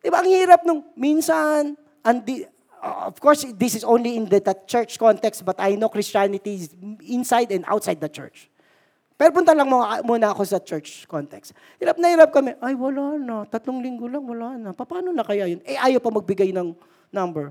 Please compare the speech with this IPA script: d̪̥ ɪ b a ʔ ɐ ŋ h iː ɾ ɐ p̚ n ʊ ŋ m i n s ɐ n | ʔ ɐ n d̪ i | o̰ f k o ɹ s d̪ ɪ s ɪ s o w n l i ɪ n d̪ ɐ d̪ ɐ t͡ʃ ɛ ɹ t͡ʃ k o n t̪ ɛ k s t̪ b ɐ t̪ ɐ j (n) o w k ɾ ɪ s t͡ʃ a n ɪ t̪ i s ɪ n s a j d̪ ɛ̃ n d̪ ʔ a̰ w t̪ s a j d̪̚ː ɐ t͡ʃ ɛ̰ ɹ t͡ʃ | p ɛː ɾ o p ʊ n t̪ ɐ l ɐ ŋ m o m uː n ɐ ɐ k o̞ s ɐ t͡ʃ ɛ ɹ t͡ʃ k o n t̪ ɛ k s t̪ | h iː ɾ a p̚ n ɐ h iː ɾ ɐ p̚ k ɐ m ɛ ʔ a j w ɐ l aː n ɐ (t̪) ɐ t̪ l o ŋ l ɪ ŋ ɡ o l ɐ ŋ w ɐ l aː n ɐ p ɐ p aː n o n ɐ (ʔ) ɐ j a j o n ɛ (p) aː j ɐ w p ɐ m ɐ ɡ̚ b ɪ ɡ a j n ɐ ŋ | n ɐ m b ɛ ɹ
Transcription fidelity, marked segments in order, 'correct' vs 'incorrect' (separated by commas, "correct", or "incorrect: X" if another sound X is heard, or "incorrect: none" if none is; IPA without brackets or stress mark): correct, correct, incorrect: k, incorrect: ʔ